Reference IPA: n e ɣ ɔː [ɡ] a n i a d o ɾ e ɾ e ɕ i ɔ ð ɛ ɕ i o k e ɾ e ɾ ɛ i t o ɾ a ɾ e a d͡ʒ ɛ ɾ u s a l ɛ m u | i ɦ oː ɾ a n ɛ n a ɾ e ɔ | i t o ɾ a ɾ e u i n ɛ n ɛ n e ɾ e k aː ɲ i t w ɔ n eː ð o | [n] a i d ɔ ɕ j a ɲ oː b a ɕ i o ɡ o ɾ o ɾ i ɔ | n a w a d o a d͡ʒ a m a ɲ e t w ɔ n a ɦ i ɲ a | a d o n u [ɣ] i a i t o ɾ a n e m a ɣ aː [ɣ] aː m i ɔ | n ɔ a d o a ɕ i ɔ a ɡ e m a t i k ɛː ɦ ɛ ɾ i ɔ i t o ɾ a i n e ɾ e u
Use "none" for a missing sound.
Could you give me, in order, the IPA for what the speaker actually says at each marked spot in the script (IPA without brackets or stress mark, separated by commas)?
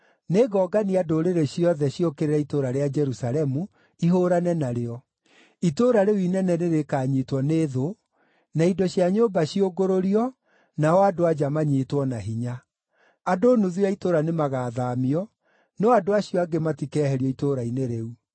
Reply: ɡ, n, ð, ð